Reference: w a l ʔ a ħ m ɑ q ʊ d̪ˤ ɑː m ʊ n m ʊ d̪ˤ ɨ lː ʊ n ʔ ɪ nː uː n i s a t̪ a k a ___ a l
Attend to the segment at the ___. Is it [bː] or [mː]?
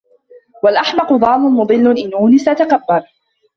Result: bː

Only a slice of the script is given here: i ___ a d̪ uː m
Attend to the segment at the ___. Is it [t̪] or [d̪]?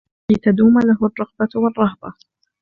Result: t̪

